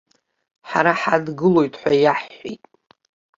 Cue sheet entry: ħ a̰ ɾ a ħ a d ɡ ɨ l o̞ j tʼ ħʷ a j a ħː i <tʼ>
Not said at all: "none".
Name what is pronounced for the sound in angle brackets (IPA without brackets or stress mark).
tʼ